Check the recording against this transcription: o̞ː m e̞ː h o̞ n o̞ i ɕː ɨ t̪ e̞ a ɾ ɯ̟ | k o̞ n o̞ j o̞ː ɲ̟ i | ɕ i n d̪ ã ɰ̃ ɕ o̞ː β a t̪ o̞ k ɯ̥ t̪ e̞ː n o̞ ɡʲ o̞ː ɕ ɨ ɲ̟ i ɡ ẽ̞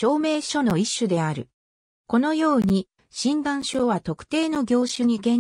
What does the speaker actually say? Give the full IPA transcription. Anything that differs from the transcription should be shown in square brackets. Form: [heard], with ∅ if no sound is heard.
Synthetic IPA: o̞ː m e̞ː [ɕ] o̞ n o̞ i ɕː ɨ [d̪] e̞ a ɾ ɯ̟ | k o̞ n o̞ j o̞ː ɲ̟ i | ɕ [ĩ] n d̪ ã ɰ̃ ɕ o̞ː β a t̪ o̞ k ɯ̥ t̪ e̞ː n o̞ ɡʲ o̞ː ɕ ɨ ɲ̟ i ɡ ẽ̞